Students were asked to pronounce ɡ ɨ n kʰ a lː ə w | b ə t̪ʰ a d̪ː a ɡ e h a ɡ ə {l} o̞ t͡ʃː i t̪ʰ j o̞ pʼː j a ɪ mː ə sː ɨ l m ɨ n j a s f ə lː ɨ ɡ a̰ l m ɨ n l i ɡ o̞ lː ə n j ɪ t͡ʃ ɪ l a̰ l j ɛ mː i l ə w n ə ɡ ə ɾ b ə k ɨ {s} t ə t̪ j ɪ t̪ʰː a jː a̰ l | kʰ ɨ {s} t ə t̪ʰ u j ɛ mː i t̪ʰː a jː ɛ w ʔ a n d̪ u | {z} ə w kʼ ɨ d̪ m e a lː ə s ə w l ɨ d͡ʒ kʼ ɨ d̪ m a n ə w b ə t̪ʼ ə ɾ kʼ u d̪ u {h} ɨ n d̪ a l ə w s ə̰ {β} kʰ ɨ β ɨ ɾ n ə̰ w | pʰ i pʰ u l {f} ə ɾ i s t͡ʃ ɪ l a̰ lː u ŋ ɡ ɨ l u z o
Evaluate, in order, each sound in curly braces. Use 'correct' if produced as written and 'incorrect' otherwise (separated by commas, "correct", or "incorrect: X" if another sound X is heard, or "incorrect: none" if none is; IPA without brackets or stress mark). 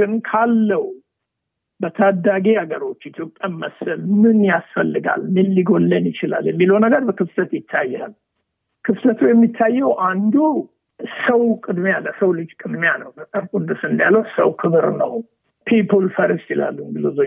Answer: incorrect: ɾ, incorrect: f, incorrect: f, incorrect: s, incorrect: s, incorrect: w, correct